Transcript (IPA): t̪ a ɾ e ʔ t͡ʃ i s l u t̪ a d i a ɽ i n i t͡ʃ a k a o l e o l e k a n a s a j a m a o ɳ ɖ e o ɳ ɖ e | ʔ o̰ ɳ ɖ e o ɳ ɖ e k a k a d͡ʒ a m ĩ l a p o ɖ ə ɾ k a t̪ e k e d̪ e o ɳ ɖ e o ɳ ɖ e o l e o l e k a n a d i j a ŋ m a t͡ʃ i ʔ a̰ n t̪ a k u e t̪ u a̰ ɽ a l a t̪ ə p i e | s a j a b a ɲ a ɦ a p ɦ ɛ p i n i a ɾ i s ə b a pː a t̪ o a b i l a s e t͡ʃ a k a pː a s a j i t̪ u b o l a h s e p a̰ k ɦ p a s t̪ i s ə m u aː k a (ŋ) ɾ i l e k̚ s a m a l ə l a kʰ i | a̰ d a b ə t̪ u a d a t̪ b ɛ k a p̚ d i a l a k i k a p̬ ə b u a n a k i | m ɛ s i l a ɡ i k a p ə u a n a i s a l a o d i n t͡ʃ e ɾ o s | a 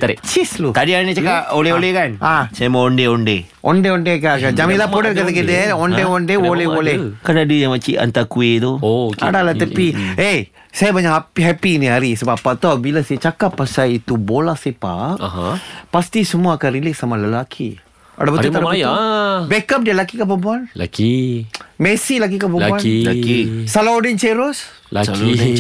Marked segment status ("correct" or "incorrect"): incorrect